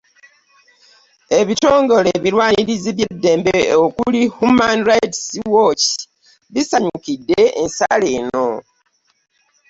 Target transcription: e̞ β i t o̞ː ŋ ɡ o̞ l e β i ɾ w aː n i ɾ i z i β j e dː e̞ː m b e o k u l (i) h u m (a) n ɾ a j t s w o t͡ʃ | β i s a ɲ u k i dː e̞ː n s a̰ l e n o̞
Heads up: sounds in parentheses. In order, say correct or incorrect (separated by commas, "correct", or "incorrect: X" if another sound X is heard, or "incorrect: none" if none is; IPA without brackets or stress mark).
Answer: correct, correct